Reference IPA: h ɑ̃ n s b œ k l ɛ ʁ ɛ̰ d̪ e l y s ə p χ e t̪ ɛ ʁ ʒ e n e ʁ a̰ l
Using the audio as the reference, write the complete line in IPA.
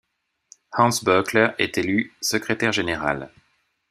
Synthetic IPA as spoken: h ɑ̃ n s b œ k l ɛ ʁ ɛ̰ t̪ e l y s ə k χ e t̪ ɛ ʁ ʒ e n e ʁ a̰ l